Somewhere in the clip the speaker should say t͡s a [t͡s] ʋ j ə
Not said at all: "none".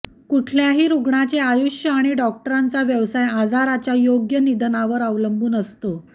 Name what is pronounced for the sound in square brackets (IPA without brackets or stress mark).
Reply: none